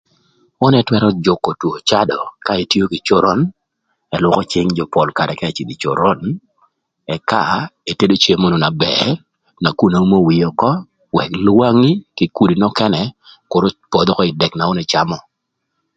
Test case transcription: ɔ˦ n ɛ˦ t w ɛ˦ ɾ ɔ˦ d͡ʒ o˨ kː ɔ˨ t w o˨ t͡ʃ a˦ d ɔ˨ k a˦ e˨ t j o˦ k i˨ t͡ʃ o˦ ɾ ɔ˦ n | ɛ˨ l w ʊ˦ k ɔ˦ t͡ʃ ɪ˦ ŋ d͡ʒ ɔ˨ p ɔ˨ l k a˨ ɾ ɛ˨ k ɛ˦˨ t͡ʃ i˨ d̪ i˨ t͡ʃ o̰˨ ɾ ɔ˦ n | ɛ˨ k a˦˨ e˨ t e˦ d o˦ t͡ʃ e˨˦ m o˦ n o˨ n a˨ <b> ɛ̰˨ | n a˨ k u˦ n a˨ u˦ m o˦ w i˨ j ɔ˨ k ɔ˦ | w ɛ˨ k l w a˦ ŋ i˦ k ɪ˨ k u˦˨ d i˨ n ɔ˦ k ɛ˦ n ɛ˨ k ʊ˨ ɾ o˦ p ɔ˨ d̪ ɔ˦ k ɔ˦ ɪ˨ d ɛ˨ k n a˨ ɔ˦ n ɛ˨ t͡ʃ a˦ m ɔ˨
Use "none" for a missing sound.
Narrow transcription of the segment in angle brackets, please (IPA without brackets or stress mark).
b